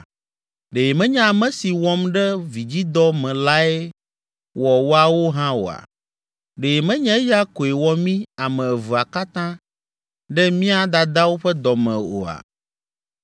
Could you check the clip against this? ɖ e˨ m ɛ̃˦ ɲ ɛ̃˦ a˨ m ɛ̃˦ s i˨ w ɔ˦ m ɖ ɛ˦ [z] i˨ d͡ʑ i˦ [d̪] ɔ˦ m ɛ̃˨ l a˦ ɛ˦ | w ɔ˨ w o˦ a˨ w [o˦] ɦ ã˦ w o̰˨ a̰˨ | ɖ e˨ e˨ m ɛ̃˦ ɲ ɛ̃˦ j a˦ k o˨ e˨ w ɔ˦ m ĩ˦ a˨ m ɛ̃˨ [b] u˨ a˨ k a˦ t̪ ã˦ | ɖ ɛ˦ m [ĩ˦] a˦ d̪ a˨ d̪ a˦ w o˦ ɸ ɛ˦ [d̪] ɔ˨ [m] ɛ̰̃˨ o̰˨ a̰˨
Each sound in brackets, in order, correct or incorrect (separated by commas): incorrect, correct, correct, incorrect, correct, correct, correct